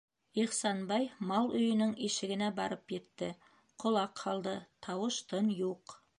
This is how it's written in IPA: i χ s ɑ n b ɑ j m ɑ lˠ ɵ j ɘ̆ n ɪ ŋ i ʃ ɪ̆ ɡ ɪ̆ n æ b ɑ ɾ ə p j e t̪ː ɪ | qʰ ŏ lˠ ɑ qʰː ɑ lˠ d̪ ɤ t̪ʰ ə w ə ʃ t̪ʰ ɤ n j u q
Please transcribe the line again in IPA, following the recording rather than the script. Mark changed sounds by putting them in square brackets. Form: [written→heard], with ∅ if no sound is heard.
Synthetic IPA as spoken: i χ s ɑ n b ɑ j m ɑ lˠ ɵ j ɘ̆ n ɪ ŋ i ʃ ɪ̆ ɡ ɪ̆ n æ b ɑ ɾ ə p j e t̪ː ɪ | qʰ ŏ lˠ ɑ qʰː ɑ lˠ d̪ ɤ t̪ʰ [ə→ɑ] w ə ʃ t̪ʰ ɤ n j u q